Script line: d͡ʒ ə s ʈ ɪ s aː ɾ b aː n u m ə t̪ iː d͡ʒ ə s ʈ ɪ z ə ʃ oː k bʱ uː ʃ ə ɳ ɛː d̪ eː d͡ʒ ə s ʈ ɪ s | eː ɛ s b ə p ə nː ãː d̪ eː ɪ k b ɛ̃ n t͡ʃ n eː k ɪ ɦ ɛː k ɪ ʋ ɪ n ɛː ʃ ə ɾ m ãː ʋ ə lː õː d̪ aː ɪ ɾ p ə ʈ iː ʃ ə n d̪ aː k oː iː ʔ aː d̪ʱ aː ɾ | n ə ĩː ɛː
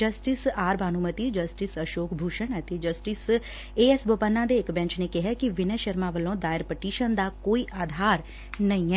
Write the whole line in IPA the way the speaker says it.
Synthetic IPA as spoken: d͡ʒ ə s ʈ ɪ s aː ɾ b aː n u m ə t̪ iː d͡ʒ ə s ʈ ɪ s ə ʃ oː k bʱ uː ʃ ə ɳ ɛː t̪ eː d͡ʒ ə s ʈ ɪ s | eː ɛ s b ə p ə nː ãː d̪ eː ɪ k b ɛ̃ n t͡ʃ n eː k ɪ ɦ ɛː k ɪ ʋ ɪ n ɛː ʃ ə ɾ m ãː ʋ ə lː õː d̪ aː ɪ ɾ p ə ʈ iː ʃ ə n d̪ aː k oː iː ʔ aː d̪ʱ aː ɾ | n ə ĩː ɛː